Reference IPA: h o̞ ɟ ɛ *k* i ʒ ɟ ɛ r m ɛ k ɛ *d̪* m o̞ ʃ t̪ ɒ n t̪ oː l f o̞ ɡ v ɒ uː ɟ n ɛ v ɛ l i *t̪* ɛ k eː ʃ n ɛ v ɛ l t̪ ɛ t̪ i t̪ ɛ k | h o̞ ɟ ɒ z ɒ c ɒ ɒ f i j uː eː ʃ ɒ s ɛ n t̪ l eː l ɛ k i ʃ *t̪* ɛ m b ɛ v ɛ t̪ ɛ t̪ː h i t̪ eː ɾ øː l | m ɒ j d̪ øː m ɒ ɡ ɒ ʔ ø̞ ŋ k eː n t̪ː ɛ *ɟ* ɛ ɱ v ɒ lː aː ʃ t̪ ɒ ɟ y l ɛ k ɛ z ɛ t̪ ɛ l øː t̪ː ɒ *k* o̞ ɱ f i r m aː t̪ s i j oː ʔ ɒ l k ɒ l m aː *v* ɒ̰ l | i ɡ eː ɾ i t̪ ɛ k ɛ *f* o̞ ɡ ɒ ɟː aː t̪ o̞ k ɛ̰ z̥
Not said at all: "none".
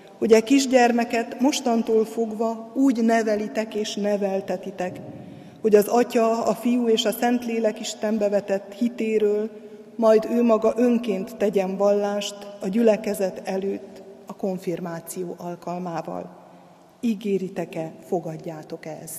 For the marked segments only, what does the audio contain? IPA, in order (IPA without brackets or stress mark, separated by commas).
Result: k, t̪, t̪, t̪, ɟ, k, v, f